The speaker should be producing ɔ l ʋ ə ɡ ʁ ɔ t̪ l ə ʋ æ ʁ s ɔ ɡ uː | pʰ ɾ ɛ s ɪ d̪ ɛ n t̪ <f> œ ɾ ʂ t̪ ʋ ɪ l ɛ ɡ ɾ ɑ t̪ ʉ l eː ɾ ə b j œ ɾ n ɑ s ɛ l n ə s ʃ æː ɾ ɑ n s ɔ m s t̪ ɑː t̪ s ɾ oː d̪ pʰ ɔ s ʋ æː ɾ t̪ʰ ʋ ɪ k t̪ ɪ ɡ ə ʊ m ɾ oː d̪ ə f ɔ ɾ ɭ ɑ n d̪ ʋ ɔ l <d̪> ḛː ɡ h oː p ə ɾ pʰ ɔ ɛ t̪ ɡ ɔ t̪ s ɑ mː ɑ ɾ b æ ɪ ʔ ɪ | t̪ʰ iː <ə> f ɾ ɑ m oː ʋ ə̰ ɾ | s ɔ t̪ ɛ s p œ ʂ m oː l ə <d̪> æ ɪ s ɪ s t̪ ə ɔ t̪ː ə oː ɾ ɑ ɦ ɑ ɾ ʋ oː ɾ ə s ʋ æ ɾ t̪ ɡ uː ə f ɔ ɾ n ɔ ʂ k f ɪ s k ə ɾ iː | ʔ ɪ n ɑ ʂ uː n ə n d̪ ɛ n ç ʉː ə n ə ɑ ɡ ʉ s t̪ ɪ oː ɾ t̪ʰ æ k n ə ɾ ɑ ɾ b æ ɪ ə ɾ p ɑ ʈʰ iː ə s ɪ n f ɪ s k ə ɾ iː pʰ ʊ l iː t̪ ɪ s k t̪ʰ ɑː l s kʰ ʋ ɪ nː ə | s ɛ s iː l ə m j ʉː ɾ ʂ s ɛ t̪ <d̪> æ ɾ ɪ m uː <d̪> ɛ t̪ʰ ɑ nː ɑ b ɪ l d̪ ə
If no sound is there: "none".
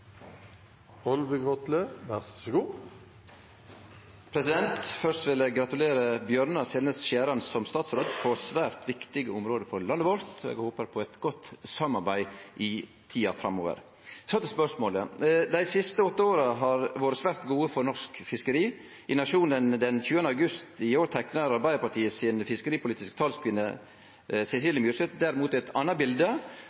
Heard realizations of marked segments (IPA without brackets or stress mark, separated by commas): f, t̪, ɑ, d̪, d̪, t̪